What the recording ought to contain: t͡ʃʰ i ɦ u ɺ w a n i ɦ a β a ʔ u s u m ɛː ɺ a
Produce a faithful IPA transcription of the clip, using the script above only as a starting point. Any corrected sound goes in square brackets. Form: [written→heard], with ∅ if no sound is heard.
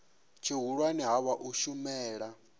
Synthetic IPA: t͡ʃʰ i ɦ u ɺ w a n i ɦ a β a ʔ u [s→ʃ] u m ɛː ɺ a